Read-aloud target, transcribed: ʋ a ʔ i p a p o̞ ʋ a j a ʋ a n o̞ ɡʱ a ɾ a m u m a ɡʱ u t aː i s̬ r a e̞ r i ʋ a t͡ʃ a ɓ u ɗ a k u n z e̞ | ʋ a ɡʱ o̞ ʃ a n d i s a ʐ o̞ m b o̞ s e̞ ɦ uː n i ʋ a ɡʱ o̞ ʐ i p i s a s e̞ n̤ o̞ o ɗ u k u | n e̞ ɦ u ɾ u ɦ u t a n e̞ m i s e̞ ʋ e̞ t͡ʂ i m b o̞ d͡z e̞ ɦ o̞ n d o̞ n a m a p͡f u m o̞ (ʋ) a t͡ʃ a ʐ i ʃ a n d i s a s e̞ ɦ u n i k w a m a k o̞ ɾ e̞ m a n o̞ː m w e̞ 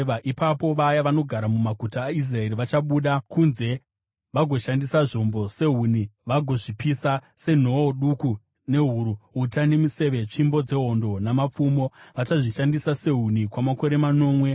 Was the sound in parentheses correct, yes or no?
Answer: yes